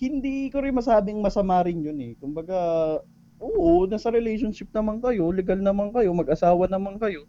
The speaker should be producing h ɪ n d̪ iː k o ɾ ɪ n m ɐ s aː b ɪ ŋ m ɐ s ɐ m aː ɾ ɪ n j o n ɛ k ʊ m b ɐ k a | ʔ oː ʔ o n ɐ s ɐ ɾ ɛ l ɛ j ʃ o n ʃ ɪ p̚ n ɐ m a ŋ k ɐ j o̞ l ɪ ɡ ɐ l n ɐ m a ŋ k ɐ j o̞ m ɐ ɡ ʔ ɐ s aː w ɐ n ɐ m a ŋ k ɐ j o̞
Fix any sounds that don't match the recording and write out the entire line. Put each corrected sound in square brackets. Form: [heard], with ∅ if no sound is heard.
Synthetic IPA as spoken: h ɪ n d̪ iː k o ɾ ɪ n m ɐ s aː b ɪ ŋ m ɐ s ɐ m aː ɾ ɪ n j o n ɛ k ʊ m b ɐ [ɡ] a | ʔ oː ʔ o n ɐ s ɐ ɾ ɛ l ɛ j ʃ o n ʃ ɪ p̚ n ɐ m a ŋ k ɐ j o̞ l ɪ ɡ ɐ l n ɐ m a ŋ k ɐ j o̞ m ɐ ɡ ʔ ɐ s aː w ɐ n ɐ m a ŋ k ɐ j o̞